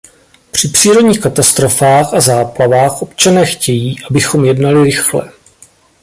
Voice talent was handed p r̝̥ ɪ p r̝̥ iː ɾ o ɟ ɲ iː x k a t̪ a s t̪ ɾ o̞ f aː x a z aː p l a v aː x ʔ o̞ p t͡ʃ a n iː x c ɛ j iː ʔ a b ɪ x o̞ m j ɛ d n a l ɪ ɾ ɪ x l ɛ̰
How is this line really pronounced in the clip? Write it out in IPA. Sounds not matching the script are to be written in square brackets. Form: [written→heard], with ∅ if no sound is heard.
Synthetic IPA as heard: p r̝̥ ɪ p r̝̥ iː ɾ o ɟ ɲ iː x k a t̪ a s t̪ ɾ o̞ f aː x a z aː p l a v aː x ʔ o̞ p t͡ʃ a n [iː→ɛː] x c ɛ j iː ʔ a b ɪ x o̞ m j ɛ d n a l ɪ ɾ ɪ x l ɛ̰